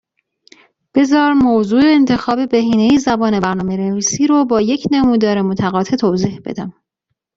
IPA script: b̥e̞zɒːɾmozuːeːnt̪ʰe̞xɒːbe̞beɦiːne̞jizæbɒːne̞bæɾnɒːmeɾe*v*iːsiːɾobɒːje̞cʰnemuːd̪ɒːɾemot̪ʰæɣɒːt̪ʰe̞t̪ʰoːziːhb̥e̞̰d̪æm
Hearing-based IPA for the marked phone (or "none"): v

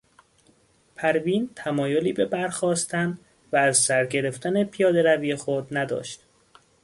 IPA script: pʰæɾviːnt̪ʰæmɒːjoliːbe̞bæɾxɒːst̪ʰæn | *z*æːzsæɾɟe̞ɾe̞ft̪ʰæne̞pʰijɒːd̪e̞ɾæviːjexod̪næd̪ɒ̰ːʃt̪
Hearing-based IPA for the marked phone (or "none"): v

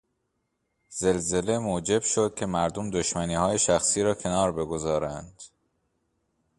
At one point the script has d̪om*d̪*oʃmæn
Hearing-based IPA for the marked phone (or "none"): d̪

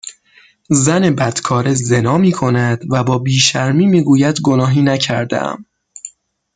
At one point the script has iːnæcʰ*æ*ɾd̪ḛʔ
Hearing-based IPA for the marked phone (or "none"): æ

